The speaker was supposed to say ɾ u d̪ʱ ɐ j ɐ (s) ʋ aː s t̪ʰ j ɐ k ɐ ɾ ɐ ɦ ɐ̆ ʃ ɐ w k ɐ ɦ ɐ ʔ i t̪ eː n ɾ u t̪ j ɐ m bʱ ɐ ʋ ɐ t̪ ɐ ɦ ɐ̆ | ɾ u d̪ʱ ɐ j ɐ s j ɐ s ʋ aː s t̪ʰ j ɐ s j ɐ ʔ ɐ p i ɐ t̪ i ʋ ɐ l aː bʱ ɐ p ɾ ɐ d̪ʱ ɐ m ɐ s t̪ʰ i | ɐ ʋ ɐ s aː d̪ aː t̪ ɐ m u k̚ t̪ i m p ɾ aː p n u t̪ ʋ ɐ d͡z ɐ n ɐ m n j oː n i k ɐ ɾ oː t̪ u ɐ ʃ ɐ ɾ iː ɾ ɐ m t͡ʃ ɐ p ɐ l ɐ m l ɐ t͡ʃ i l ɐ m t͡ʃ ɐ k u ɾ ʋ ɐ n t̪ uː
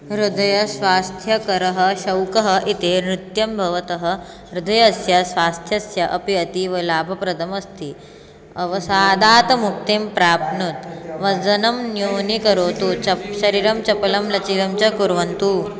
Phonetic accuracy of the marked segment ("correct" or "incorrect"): correct